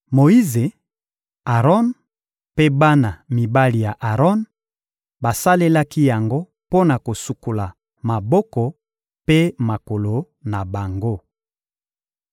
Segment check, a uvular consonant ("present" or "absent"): present